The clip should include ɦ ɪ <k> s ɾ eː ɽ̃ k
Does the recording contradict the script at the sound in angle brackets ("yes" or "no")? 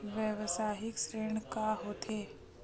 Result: no